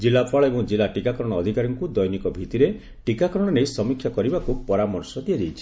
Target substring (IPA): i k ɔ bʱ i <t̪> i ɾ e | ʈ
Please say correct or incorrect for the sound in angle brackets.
correct